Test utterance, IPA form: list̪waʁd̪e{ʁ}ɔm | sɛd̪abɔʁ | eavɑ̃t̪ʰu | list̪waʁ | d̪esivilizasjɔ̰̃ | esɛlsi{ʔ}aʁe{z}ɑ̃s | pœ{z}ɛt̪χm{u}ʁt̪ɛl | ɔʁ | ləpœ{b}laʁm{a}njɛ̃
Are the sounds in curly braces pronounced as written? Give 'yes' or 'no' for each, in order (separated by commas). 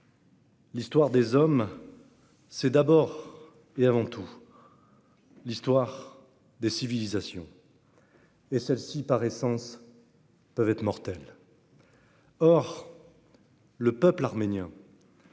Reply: no, no, no, no, no, no, no